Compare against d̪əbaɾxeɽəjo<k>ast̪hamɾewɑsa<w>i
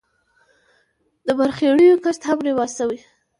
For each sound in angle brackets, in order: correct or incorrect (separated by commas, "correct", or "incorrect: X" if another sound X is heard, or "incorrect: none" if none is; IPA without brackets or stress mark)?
correct, correct